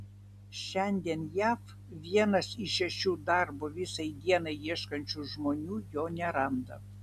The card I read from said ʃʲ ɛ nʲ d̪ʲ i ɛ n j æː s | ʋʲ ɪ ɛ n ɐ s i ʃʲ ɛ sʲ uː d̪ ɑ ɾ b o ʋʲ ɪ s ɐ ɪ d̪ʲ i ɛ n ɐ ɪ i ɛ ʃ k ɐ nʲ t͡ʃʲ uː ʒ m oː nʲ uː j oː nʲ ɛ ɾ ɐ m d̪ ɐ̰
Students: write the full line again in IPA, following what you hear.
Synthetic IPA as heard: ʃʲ ɛ nʲ d̪ʲ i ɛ n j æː f | ʋʲ i ɛ n ɐ s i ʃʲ ɛ ʃʲ uː d̪ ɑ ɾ b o ʋʲ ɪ s ɐ ɪ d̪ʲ i ɛ n ɐ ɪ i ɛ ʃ k ɐ nʲ t͡ʃʲ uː ʒ m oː nʲ uː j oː nʲ ɛ ɾ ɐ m d̪ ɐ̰